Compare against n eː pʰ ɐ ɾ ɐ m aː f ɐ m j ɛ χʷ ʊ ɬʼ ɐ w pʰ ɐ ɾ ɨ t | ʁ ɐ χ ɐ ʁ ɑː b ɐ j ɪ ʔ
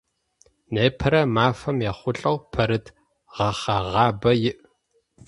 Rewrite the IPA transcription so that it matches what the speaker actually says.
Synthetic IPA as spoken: n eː pʰ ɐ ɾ ɐ m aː f ɐ m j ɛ χʷ ʊ ɬʼ ɐ w pʰ ɐ ɾ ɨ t | ʁ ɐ χ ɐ ʁ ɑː b ɐ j ɪ ʔ